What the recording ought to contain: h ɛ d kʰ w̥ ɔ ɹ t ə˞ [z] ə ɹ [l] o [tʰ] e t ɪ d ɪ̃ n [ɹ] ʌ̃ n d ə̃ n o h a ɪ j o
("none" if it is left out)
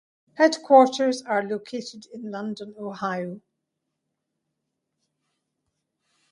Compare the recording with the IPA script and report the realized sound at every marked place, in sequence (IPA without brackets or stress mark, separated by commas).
z, l, kʰ, l